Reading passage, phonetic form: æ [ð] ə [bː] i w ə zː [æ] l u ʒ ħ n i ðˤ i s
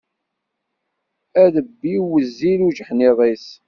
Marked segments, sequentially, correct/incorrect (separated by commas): correct, correct, incorrect